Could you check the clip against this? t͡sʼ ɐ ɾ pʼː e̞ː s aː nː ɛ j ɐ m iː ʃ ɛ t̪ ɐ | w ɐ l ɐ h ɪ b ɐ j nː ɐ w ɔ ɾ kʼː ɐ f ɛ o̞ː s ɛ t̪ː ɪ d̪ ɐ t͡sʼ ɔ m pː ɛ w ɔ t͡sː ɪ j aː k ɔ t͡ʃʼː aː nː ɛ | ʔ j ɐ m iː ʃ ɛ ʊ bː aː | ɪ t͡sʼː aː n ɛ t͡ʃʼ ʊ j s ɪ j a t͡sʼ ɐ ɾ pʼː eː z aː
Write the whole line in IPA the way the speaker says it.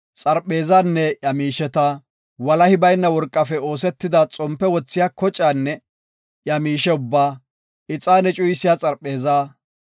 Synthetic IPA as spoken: t͡sʼ ɐ ɾ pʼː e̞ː z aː nː ɛ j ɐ m iː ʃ ɛ t̪ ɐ | w ɐ l ɐ h ɪ b ɐ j nː ɐ w ɔ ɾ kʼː ɐ f ɛ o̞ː s ɛ t̪ː ɪ d̪ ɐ t͡sʼ ɔ m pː ɛ w ɔ t͡sː ɪ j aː k ɔ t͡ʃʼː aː nː ɛ | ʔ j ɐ m iː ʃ ɛ ʊ bː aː | ɪ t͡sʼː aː n ɛ t͡ʃʼ ʊ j s ɪ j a t͡sʼ ɐ ɾ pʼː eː z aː